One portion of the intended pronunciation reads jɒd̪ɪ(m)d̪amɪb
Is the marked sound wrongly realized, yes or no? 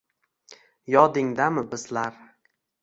yes